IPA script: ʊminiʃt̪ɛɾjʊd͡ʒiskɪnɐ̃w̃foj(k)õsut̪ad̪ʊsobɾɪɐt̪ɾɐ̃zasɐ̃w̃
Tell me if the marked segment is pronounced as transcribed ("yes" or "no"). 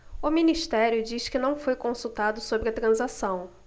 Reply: yes